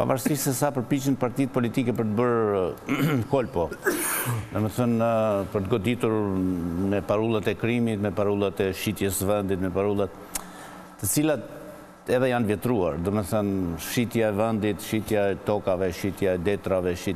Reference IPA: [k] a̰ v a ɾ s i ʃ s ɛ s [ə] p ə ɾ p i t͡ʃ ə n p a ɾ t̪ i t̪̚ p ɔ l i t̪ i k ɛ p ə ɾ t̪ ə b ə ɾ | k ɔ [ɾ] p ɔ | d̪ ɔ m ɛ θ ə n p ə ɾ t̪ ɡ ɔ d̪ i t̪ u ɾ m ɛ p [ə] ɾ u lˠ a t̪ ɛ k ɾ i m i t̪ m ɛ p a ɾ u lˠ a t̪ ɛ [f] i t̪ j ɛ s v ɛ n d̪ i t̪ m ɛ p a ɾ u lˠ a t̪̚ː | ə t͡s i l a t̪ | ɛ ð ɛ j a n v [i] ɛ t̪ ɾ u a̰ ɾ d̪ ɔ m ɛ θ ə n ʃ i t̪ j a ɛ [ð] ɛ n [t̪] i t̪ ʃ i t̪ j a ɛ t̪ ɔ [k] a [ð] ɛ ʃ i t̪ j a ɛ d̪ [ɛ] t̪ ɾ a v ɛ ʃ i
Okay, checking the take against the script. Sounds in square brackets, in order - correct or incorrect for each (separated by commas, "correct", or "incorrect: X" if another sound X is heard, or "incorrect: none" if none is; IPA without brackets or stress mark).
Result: incorrect: p, incorrect: a, incorrect: l, incorrect: a, incorrect: ʃ, incorrect: j, incorrect: v, incorrect: d̪, correct, incorrect: v, correct